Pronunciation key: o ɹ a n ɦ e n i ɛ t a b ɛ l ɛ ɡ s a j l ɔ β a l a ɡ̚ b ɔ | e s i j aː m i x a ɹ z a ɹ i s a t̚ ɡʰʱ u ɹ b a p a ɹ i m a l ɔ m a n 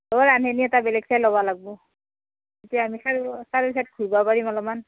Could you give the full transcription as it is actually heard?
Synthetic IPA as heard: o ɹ a n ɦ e n i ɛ t a b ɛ l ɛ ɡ s a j l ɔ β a l a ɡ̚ b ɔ | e t i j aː m i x a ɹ s a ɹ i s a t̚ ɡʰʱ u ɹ b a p a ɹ i m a l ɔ m a n